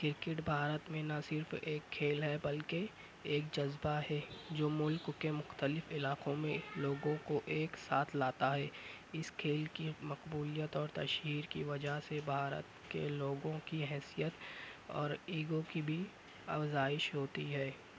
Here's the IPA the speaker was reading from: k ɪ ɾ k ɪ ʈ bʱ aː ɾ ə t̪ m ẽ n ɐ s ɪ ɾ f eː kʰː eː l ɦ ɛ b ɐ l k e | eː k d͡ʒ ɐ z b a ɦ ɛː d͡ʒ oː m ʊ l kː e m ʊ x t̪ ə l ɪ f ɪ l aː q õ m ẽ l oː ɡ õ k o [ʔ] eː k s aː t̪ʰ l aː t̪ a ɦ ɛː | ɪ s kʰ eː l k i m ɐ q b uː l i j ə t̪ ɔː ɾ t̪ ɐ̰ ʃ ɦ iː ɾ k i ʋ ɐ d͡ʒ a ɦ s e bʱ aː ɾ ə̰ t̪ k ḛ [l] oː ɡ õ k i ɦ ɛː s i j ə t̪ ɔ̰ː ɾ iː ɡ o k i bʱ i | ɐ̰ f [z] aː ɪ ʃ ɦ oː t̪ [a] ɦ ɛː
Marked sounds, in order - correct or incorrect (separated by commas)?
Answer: correct, correct, correct, incorrect